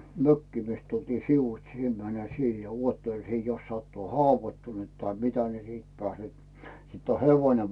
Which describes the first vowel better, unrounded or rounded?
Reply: rounded